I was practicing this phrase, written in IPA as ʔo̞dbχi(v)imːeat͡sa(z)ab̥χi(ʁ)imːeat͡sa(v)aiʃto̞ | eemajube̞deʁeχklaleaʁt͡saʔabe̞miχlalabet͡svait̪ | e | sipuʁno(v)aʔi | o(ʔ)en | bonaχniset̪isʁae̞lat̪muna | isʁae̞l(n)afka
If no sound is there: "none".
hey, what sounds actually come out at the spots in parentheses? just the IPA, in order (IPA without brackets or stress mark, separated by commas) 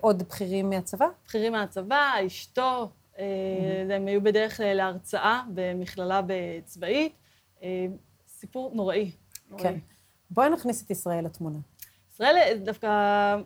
ʁ, v, ʁ, v, ʁ, k, d